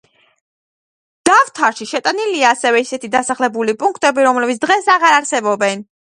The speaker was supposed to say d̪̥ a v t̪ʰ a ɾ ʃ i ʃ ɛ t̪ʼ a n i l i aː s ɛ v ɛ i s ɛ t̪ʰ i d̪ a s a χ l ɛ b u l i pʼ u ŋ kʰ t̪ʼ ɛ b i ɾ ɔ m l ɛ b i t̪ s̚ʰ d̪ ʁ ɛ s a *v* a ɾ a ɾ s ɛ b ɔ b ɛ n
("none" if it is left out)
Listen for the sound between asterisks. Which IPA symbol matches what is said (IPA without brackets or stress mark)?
ʁ